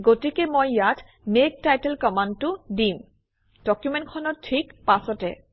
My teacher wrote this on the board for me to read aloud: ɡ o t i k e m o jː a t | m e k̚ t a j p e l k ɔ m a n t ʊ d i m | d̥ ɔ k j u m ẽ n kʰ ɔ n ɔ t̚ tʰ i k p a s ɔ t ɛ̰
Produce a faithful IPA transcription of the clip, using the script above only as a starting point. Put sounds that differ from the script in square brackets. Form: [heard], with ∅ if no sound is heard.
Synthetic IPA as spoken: ɡ o t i k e m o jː a t | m e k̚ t a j [t] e l k ɔ m a n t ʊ d i m | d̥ ɔ k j u m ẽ n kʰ ɔ n ɔ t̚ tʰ i k p a s ɔ t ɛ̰